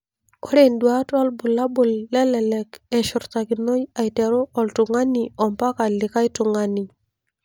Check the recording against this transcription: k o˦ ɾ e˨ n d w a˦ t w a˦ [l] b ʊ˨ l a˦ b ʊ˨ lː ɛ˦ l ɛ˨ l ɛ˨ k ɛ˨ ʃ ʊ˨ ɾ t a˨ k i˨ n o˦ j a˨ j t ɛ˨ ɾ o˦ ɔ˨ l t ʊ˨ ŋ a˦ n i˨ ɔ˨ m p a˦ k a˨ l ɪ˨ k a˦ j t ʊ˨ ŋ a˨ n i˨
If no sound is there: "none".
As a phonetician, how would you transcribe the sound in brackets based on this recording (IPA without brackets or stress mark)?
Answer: l